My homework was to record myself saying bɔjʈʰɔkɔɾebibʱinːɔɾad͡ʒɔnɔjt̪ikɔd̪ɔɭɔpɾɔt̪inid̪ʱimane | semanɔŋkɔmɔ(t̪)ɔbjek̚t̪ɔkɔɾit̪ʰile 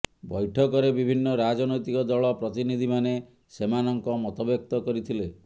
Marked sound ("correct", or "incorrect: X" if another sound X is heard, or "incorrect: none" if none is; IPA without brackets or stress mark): correct